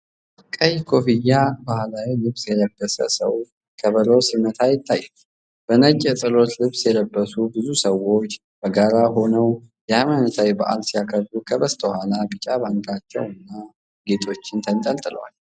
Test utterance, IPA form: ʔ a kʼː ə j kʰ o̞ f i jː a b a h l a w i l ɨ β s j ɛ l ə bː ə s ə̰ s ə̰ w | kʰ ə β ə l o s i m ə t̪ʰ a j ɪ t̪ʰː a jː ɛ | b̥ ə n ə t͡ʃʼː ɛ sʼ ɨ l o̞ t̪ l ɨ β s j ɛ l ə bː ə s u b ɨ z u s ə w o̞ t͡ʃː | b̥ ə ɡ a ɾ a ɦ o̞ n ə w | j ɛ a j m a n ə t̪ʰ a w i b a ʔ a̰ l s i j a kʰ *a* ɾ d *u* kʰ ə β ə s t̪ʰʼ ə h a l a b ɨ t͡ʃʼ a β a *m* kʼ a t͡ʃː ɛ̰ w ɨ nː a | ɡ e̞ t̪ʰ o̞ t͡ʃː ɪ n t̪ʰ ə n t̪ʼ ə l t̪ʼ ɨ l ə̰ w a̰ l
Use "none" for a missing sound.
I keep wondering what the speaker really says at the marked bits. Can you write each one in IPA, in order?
ə, u, ŋ

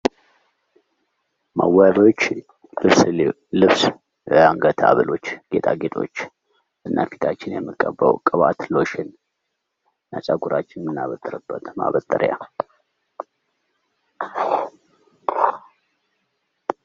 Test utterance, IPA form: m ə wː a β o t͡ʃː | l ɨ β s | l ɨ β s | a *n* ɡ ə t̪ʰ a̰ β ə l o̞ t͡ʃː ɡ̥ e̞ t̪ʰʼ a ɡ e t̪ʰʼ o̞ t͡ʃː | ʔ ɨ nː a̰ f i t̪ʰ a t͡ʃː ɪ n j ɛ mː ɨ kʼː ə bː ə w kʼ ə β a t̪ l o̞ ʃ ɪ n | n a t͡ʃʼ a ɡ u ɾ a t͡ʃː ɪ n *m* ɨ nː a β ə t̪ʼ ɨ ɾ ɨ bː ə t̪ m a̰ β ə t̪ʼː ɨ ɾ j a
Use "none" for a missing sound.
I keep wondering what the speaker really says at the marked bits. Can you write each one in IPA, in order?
ŋ, m

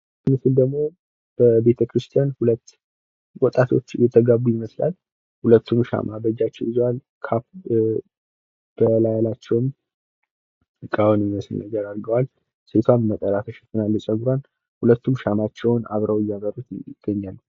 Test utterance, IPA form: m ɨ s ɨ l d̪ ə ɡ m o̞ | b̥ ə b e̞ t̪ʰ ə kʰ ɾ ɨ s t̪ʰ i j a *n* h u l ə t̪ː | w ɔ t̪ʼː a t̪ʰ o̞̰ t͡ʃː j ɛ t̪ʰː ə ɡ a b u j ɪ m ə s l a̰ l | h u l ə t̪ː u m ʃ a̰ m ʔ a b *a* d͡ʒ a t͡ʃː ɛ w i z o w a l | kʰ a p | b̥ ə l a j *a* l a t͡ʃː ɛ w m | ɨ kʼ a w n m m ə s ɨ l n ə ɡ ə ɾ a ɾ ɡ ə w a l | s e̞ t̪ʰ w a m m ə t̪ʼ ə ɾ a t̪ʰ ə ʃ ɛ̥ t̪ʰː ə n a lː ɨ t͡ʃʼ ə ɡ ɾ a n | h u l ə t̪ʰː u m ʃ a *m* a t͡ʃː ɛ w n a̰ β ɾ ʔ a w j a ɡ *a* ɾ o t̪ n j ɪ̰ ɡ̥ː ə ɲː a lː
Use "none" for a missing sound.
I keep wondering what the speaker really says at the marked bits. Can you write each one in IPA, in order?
n, ə, a, m, ə

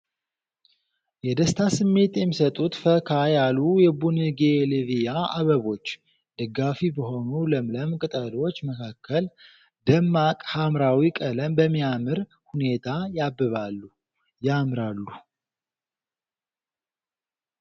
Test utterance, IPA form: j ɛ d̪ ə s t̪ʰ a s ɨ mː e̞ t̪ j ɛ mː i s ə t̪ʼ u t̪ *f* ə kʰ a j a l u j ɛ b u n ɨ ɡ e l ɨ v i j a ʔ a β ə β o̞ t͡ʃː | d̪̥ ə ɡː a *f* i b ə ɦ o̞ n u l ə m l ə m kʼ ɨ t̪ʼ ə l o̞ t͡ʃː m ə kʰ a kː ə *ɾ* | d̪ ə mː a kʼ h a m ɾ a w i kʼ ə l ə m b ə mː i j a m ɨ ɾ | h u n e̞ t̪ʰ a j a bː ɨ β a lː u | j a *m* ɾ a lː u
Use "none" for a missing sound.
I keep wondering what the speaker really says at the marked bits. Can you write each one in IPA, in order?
f, f, l, m

